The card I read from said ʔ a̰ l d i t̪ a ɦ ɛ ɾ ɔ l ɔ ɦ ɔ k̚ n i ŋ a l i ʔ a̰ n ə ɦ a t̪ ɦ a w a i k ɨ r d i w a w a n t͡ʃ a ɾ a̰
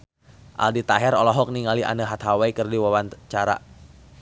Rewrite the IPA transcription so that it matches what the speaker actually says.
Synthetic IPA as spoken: ʔ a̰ l d i t̪ a ɦ ɛ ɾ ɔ l ɔ ɦ ɔ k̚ n i ŋ a l i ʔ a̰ n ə ɦ a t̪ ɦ a w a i k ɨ r d i w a w a n t͡ʃ a ɾ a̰